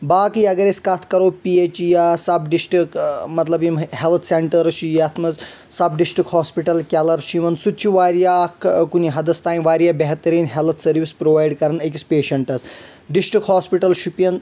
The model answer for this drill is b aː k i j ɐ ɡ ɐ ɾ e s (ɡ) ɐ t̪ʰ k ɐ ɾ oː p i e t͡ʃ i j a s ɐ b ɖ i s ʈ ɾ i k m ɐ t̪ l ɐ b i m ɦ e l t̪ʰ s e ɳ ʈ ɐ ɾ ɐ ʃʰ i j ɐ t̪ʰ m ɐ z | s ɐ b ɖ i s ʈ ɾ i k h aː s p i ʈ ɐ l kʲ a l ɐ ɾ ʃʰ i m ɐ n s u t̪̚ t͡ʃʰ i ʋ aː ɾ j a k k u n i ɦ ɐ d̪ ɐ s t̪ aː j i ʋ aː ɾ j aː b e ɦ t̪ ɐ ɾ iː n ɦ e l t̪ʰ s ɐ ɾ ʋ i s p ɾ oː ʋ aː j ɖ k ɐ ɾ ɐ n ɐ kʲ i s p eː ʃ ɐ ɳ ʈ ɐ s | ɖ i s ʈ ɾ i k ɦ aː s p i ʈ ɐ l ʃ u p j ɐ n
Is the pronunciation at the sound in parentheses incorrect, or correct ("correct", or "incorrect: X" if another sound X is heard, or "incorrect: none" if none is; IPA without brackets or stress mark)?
incorrect: k